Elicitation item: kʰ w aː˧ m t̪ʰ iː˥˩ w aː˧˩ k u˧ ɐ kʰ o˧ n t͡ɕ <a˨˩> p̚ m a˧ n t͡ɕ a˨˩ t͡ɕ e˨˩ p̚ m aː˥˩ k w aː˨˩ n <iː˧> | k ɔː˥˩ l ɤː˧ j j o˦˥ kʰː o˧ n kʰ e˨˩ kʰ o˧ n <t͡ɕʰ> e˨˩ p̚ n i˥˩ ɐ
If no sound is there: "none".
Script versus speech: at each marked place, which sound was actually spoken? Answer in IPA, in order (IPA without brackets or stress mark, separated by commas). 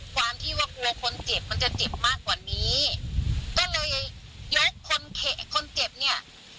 e˨˩, iː˦˥, t͡ɕ